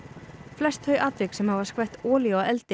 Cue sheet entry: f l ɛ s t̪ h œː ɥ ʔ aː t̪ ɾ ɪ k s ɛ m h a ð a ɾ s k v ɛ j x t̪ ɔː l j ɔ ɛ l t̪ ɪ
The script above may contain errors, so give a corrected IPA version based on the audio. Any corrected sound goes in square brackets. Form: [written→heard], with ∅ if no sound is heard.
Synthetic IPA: f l ɛ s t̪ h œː ɥ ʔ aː t̪ ɾ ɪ k s ɛ m h a [ð→v] a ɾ s k v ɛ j [x→h] t̪ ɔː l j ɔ ɛ l t̪ ɪ

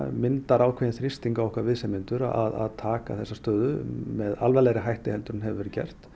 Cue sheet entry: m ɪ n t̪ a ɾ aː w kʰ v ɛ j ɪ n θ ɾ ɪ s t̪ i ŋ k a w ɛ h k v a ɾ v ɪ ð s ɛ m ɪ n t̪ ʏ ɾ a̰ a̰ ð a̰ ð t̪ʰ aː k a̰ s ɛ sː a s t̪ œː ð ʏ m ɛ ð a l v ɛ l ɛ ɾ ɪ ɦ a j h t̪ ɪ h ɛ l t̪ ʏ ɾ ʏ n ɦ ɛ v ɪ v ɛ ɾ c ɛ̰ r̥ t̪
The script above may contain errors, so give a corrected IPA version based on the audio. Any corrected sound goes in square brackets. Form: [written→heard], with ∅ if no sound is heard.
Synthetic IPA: m ɪ n t̪ a ɾ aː w kʰ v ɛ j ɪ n θ ɾ ɪ s t̪ i ŋ k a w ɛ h k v a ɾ v ɪ ð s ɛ m ɪ n t̪ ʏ ɾ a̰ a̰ ð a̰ ð t̪ʰ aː k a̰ [s→θ] ɛ sː a s t̪ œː ð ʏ m ɛ ð a l v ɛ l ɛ ɾ ɪ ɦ a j h t̪ ɪ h ɛ l t̪ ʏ ɾ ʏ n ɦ ɛ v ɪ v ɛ ɾ c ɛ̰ r̥ t̪

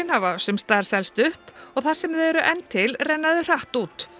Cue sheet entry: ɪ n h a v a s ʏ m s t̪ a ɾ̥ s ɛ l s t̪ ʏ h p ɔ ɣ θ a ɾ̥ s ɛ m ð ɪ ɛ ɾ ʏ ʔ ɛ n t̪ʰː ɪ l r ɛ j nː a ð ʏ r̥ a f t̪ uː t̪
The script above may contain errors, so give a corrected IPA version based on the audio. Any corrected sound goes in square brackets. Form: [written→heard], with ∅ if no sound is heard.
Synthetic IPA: ɪ n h a v a s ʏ m s t̪ a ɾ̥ s ɛ l s t̪ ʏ h p ɔ ɣ θ a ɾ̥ s ɛ m ð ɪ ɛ ɾ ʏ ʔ ɛ n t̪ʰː ɪ l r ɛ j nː a ð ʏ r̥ a [f→h] t̪ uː t̪

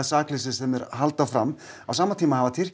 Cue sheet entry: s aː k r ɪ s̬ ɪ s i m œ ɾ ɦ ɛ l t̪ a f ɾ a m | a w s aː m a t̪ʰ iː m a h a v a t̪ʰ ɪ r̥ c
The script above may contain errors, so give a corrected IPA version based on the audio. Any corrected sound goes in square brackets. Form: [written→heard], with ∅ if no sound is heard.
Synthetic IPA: s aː k [r→l] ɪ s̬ ɪ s [i→ɛ] m [œ→ɛ] ɾ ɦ [ɛ→a] l t̪ a f ɾ a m | a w s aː m a t̪ʰ iː m a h a v a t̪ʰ ɪ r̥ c

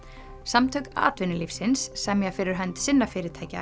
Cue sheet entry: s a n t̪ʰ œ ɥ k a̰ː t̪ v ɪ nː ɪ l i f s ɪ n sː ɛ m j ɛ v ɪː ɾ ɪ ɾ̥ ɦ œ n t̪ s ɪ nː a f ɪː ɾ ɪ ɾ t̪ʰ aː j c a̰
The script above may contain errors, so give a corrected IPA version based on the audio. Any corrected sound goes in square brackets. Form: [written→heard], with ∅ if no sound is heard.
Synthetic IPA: s a [n→m] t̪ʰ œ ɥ k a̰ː t̪ v ɪ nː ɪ l i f s ɪ n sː ɛ m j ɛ [v→f] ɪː ɾ ɪ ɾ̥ ɦ œ n t̪ s ɪ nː a f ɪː ɾ ɪ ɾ t̪ʰ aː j c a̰

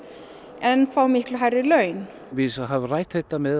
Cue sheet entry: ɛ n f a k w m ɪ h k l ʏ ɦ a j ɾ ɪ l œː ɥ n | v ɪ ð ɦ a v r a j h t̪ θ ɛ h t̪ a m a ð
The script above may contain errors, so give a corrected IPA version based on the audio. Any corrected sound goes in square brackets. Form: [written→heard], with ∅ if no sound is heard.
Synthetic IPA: ɛ n f a [k→∅] w m ɪ h k l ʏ ɦ a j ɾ ɪ l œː ɥ n | v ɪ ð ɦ a v r a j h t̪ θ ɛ h t̪ a m [a→ɛ] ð

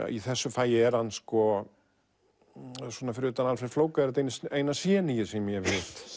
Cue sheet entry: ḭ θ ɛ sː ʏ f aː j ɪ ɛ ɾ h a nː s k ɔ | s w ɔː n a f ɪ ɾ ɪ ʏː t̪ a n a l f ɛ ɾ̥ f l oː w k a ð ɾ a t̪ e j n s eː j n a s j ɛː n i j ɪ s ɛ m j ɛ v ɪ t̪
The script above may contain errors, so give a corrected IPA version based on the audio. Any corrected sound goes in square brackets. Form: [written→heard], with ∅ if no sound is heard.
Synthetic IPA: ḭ θ ɛ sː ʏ f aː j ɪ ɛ ɾ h a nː s k ɔ | s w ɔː n a f ɪ ɾ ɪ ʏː t̪ a n a l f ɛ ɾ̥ f l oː w k a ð ɾ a t̪ e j n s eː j n a s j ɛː n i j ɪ s ɛ m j ɛ v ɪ t̪

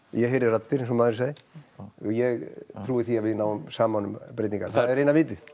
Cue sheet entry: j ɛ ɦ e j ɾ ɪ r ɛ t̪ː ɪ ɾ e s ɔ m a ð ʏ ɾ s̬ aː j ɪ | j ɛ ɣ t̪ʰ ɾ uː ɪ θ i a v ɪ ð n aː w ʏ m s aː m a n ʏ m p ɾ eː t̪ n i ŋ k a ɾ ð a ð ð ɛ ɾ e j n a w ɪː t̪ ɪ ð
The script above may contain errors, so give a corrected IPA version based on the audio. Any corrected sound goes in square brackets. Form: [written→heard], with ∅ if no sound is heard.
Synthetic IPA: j ɛ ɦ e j ɾ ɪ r [ɛ→a] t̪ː ɪ ɾ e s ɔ m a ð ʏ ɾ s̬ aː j ɪ | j ɛ ɣ t̪ʰ ɾ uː ɪ θ i a v ɪ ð n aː w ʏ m s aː m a n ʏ m p ɾ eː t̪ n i ŋ k a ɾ [ð→θ] a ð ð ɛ ɾ e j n a [w→v] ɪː t̪ ɪ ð

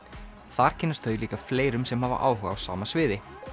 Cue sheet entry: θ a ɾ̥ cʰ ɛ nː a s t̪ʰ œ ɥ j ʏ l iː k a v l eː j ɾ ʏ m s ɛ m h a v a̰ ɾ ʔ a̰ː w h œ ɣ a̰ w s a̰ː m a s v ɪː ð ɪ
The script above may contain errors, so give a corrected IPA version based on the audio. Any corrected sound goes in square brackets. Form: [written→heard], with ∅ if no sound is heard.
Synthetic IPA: θ a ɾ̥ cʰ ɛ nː a s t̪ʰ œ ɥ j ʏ l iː k a [v→f] l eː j ɾ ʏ m s ɛ m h a v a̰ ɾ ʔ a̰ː w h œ ɣ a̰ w s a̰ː m a s v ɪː ð ɪ

